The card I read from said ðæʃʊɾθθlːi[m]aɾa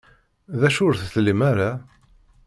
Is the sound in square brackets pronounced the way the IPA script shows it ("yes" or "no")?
yes